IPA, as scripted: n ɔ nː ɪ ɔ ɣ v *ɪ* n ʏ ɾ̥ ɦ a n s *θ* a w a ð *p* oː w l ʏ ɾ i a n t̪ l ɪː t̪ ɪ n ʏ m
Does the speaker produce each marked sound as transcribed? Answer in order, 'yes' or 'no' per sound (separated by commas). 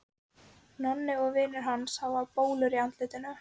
no, no, yes